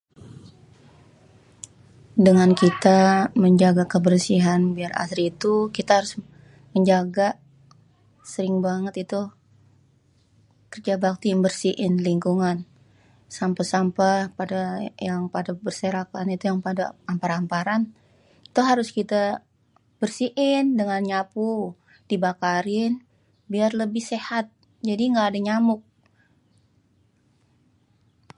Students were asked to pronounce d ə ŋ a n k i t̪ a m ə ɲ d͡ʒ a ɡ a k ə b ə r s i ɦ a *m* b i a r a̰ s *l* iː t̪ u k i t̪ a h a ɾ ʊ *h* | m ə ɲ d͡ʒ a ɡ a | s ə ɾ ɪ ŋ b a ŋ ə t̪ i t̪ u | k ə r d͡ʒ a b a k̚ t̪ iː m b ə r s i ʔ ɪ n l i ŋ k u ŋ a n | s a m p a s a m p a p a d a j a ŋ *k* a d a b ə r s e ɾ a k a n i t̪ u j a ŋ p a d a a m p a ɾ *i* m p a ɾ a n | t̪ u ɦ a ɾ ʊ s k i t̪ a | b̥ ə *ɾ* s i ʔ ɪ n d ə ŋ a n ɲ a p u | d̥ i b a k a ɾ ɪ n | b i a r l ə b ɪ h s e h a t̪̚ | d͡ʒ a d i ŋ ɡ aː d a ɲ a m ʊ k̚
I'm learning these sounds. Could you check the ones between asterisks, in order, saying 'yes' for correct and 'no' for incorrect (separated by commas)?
no, no, no, no, no, no